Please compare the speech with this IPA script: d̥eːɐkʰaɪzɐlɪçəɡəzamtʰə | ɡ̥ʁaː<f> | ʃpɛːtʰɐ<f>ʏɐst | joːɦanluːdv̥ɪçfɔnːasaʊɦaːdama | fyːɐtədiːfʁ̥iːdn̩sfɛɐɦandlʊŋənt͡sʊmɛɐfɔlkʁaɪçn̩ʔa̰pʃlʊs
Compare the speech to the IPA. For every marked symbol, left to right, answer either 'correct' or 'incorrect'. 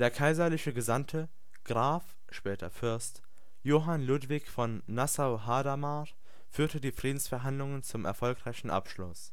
correct, correct

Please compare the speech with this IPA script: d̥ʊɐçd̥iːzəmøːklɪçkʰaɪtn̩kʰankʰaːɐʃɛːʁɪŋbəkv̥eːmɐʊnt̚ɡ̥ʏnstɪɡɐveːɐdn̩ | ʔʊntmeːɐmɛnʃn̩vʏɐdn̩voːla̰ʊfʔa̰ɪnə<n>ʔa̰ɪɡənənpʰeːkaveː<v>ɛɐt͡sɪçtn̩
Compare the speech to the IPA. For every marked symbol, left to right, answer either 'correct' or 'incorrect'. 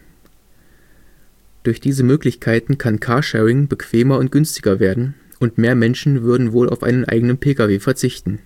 correct, incorrect

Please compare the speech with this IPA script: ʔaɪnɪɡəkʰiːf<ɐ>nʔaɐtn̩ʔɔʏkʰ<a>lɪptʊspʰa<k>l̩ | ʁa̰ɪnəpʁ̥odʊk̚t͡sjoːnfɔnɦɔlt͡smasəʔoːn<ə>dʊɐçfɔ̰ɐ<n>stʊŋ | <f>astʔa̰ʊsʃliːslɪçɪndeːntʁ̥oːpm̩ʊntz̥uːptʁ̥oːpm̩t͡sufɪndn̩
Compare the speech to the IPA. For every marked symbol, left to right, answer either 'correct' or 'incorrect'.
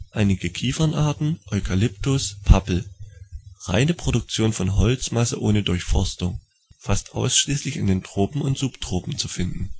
correct, correct, incorrect, correct, incorrect, correct

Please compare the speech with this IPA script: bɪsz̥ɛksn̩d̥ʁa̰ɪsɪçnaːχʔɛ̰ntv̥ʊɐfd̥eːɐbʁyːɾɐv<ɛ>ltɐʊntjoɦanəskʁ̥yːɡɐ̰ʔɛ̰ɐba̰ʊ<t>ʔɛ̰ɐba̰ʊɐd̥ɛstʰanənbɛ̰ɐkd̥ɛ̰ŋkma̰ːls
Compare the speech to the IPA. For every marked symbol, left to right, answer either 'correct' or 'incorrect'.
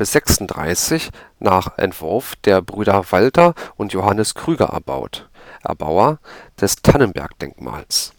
incorrect, correct

